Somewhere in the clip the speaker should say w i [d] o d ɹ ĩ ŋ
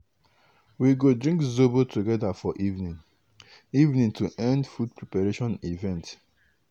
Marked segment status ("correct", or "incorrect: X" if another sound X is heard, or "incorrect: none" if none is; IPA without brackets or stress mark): incorrect: ɡ